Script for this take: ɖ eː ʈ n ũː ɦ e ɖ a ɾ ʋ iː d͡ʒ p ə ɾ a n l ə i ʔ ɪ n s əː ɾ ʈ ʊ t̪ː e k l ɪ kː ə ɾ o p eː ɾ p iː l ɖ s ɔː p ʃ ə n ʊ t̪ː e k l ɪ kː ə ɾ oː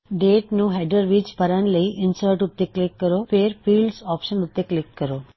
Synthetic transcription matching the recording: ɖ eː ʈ n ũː ɦ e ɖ ə ɾ ʋ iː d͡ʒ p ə ɾ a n l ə i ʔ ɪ n s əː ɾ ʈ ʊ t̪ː e k l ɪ kː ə ɾ o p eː ɾ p iː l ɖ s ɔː p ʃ ə n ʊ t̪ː e k l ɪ kː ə ɾ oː

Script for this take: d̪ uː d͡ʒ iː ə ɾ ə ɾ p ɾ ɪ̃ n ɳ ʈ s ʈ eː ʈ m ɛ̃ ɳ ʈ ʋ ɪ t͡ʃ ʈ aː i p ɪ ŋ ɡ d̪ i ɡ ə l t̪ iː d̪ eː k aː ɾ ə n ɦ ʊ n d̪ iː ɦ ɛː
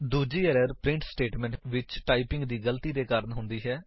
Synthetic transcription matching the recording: d̪ uː d͡ʒ iː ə ɾ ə ɾ p ɾ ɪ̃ ɳ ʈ s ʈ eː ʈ m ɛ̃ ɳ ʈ ʋ ɪ t͡ʃ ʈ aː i p ɪ ŋ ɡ d̪ iː ɡ ə l t̪ iː d̪ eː k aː ɾ ə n ɦ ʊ n d̪ iː ɦ ɛː

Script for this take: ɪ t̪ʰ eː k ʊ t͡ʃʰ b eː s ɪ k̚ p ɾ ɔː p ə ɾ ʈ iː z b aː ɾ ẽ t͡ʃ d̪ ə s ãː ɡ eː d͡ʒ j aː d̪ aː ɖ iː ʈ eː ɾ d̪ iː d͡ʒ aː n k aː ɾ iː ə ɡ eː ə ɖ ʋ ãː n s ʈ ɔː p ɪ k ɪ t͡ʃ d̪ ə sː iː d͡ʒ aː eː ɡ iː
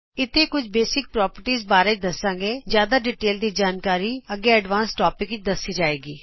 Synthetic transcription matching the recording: ɪ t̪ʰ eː k ʊ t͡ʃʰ b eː s ɪ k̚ p ɾ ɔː p ə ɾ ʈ iː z b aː ɾ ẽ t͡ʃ d̪ ə s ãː ɡ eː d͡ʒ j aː d̪ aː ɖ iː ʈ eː l d̪ iː d͡ʒ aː n k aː ɾ iː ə ɡ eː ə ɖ ʋ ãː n s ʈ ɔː p ɪ k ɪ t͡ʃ d̪ ə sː iː d͡ʒ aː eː ɡ iː

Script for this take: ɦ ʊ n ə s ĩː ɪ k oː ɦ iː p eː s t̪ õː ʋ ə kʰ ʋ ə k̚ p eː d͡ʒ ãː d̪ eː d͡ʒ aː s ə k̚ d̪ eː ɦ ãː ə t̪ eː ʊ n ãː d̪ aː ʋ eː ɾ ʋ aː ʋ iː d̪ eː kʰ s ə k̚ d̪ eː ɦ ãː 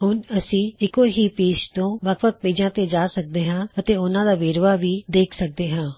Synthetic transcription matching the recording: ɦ ʊ n ə s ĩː ɪ k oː ɦ iː p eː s t̪ õː ʋ ə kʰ ʋ ə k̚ p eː d͡ʒ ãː t̪ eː d͡ʒ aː s ə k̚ d̪ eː ɦ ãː ə t̪ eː ʊ n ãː d̪ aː ʋ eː ɾ ʋ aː ʋ iː d̪ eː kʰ s ə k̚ d̪ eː ɦ ãː

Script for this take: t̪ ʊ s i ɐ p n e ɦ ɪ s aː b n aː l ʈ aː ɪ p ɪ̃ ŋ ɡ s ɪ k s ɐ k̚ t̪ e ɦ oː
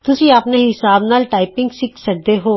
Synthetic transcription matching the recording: t̪ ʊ s i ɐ p n e ɦ ɪ s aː b n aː l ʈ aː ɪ p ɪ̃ ŋ ɡ s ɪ k s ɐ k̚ d̪ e ɦ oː

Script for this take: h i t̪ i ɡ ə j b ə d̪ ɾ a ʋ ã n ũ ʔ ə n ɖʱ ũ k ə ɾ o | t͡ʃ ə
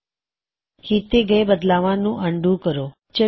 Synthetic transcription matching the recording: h i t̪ e ɡ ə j b ə d̪ l a ʋ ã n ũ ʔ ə ɳ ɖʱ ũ k ə ɾ o | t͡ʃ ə

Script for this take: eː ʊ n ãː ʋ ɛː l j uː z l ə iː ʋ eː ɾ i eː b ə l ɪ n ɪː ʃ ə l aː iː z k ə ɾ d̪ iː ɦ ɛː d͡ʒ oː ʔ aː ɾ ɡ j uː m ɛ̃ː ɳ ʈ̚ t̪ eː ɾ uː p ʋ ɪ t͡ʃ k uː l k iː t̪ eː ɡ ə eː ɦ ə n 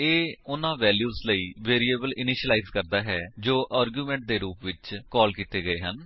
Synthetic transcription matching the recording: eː ʊ n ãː ʋ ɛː l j uː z l ə iː ʋ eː ɾ i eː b ə l ɪ n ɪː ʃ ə l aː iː z k ə ɾ d̪ aː ɦ ɛː d͡ʒ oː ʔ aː ɾ ɡ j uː m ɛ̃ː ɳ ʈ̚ d̪ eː ɾ uː p ʋ ɪ t͡ʃ k ɔː l k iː t̪ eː ɡ ə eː ɦ ə n

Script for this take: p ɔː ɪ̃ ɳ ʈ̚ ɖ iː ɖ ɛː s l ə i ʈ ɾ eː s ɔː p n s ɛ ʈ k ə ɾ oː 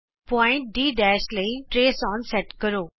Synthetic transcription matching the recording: p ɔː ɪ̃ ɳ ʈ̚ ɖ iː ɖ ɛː ʃ l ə i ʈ ɾ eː s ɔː n s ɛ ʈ k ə ɾ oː

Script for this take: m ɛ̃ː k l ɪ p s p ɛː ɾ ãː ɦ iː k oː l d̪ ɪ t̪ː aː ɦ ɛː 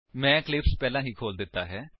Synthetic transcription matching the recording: m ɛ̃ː k l ɪ p s p ɛː l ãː ɦ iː kʰ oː l d̪ ɪ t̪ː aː ɦ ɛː

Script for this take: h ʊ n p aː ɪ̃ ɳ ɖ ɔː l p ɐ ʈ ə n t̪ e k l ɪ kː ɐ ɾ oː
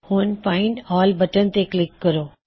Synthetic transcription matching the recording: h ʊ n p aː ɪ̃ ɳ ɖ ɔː l b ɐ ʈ ə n t̪ e k l ɪ kː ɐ ɾ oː

